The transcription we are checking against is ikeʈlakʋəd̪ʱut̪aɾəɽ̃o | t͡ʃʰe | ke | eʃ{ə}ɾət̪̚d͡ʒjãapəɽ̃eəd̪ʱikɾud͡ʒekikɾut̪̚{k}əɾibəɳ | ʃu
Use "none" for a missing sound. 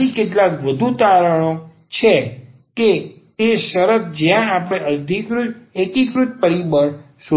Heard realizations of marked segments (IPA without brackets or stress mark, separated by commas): ə, p